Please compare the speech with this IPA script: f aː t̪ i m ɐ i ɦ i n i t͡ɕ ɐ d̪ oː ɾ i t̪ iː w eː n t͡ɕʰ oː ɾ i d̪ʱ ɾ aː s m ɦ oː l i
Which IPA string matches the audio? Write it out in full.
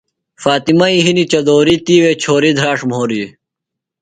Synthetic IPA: f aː t̪ i m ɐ i ɦ i n i t͡ɕ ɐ d̪ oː ɾ i t̪ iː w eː t͡ɕʰ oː ɾ i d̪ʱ ɾ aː ʂ m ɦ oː ɾ i